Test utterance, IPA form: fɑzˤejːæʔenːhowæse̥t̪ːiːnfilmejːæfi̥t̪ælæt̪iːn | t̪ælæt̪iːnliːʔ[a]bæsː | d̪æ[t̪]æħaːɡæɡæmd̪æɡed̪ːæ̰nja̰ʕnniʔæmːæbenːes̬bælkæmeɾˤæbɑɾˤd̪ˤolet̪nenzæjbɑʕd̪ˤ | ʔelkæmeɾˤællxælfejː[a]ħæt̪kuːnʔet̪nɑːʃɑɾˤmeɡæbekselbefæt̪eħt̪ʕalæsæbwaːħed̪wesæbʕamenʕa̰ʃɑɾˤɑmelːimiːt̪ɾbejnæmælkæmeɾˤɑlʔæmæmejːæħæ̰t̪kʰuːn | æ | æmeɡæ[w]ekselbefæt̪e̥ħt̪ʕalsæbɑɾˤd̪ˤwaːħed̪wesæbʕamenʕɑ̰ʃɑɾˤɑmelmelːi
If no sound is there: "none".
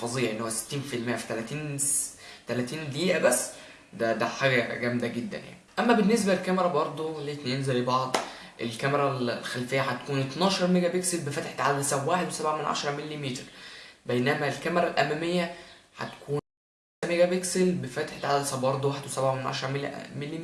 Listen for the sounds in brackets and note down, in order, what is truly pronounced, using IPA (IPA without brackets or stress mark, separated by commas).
æ, d̪, æ, b